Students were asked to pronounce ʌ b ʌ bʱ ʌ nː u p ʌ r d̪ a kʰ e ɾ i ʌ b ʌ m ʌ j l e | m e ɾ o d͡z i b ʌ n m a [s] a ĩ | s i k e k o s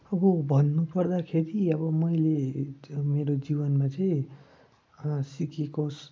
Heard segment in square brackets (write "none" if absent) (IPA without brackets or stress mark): t͡s